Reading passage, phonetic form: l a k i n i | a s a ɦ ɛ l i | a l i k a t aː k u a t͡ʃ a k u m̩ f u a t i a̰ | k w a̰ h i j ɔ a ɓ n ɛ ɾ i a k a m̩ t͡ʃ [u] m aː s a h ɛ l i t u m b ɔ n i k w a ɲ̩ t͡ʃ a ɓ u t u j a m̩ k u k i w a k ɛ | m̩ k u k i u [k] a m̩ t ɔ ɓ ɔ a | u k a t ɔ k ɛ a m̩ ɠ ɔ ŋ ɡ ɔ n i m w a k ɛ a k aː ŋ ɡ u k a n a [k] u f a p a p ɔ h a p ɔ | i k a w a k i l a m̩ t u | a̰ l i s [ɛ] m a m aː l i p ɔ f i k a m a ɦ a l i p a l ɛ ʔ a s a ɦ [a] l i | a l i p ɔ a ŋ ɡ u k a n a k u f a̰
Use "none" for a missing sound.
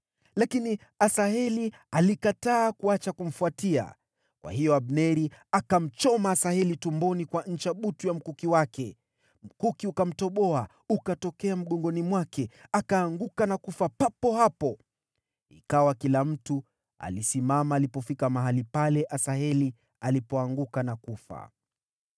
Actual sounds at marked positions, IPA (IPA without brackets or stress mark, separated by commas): ɔ, k, k, i, ɛ